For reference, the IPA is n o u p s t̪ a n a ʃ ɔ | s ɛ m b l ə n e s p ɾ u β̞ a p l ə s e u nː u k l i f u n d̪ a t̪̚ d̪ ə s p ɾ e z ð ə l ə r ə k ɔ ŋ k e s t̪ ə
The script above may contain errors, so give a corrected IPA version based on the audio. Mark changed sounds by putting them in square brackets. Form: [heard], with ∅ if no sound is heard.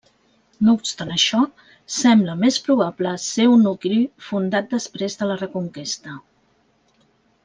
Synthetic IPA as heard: n o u p s t̪ a n [ə] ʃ ɔ | s ɛ m b l ə [m] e s p ɾ u β̞ a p l ə s e u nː u k l i f u n d̪ a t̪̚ d̪ ə s p ɾ e z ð ə l ə r ə k [u] ŋ k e s t̪ ə